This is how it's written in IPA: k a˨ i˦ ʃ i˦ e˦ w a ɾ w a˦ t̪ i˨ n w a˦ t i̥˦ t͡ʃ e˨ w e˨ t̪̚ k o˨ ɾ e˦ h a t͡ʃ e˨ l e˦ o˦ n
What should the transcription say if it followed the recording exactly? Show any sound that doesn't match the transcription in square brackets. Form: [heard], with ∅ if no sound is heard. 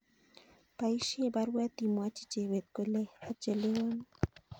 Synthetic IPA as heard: [p] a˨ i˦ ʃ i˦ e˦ [b] a ɾ w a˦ t̪ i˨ [m] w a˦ [t͡ʃ] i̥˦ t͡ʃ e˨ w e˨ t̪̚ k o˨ [l] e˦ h a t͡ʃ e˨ l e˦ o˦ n

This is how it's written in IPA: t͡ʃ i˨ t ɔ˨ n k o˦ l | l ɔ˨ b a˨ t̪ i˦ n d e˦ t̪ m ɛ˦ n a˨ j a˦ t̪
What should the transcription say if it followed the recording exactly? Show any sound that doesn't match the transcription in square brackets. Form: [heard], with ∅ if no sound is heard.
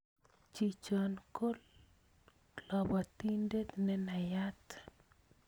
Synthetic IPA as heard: t͡ʃ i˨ [t͡ʃ] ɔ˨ n k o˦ l | l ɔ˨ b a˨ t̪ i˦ n d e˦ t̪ [n] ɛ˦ n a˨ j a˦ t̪

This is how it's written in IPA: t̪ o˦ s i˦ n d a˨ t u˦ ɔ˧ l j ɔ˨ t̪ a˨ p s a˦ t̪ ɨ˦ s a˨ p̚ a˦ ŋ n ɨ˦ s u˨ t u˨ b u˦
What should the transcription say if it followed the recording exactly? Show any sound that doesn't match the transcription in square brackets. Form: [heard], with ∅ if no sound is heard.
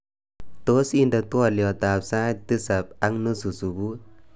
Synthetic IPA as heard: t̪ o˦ s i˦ n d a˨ t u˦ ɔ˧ l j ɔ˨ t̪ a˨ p s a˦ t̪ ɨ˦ s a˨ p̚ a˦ ŋ n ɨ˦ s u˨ [s] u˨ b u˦

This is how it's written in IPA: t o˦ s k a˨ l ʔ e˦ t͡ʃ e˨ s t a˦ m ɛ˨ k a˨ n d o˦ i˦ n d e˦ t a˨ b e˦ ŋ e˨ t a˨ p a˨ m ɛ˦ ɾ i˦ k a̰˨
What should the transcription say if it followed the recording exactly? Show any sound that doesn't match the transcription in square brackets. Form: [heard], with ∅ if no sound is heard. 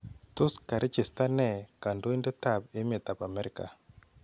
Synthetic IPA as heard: t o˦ s k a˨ [ɾ] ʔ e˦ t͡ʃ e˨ s t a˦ [n] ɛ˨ k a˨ n d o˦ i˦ n d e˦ t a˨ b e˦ [m] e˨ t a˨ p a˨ m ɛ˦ ɾ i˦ k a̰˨

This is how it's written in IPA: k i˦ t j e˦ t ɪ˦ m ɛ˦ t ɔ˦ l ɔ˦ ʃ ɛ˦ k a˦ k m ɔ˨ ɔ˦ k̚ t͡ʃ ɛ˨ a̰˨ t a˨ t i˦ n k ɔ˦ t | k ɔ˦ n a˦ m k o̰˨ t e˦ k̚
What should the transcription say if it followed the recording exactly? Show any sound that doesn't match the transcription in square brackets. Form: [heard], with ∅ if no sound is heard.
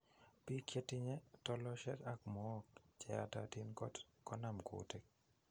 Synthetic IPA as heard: [p] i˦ [k] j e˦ t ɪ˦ [ɲ] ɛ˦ t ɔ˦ l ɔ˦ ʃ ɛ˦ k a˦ k m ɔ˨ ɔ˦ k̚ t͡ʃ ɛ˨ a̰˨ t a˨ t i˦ n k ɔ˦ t | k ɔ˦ n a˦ m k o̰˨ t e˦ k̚

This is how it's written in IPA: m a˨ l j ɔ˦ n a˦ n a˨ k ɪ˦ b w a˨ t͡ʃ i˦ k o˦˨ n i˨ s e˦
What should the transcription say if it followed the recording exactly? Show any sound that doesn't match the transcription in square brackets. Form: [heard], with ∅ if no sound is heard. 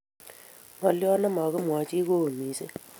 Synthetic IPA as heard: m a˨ l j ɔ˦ n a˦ [m] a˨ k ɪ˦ [m] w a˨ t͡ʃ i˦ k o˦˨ [m] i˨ s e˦

